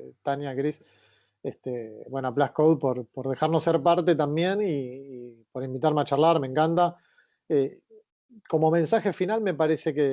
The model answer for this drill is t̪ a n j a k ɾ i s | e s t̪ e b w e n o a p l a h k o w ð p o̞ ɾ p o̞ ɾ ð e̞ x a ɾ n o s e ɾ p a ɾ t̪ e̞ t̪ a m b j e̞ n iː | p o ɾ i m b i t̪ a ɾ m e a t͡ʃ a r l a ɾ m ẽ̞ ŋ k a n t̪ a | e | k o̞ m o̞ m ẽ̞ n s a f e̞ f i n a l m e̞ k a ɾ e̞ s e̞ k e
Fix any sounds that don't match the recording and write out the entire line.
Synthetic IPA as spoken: t̪ a n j a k ɾ i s | e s t̪ e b w e n o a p l a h k o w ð p o̞ ɾ p o̞ ɾ ð e̞ x a ɾ n o s e ɾ p a ɾ t̪ e̞ t̪ a m b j e̞ n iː | p o ɾ i m b i t̪ a ɾ m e a t͡ʃ a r l a ɾ m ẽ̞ ŋ k a n t̪ a | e | k o̞ m o̞ m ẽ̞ n s a x e̞ f i n a l m e̞ p a ɾ e̞ s e̞ k e